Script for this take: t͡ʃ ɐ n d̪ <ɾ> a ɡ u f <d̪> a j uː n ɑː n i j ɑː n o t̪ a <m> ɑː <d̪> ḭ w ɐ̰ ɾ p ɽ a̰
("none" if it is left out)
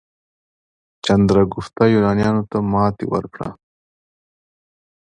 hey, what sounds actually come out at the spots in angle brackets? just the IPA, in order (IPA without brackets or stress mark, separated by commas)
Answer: ɾ, t̪, m, t̪